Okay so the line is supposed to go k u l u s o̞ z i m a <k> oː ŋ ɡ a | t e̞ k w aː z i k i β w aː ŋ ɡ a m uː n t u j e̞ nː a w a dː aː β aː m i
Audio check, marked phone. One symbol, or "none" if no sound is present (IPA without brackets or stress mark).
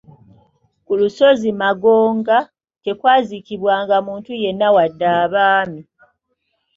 ɡ